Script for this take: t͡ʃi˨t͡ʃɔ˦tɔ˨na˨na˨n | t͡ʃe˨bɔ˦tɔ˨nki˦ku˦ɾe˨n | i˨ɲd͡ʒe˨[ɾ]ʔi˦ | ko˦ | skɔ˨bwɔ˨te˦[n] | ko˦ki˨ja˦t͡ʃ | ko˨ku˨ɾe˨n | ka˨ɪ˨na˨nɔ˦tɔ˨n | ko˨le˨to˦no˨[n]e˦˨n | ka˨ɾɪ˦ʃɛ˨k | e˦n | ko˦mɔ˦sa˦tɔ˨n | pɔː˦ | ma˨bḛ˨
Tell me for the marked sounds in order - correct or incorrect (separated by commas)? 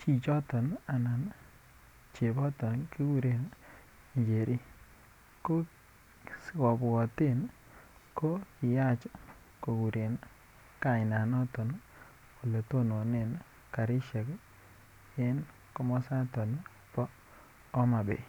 correct, correct, correct